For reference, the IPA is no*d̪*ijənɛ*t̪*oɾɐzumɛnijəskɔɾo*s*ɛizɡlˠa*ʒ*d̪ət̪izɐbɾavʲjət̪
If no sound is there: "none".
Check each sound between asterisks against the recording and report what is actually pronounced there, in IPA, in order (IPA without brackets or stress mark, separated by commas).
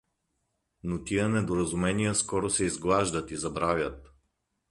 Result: t̪, d̪, s, ʒ